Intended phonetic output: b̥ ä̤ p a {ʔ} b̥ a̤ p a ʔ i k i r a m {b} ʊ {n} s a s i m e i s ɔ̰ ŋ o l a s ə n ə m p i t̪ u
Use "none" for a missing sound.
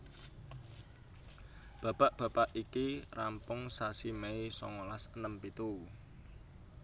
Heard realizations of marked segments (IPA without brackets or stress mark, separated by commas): ʔ, p, ŋ